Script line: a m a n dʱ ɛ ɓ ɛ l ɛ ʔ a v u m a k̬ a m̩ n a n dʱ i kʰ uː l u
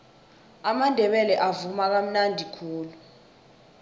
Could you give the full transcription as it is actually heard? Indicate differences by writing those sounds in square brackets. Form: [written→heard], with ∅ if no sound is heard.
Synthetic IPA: a m a n dʱ ɛ ɓ ɛ l ɛ ʔ a v u m a k̬ a m̩ n a n dʱ i kʰ uː l u